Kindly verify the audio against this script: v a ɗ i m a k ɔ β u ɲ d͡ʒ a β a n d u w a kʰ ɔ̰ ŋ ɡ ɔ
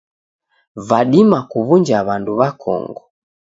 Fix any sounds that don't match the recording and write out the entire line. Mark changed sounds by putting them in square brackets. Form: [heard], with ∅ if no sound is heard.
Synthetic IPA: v a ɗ i m a k [u] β u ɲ d͡ʒ a β a n d u [β] a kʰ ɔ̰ ŋ ɡ ɔ